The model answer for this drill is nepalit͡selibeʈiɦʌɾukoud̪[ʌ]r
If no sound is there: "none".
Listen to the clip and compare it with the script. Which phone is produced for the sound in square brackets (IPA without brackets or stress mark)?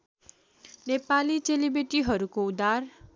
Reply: a